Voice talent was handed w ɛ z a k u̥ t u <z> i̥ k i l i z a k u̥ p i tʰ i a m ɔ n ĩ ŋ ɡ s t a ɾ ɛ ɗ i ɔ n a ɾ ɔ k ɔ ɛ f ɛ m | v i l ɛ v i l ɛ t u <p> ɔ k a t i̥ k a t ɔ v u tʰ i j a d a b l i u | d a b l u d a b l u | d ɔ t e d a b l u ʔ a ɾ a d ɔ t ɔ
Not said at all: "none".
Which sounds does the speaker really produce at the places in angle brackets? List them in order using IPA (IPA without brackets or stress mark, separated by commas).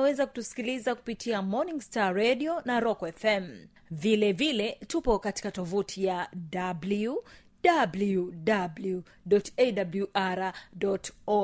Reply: s, p